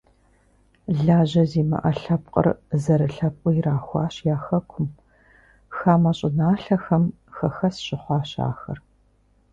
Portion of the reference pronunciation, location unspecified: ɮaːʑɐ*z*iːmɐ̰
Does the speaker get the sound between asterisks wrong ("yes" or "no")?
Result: no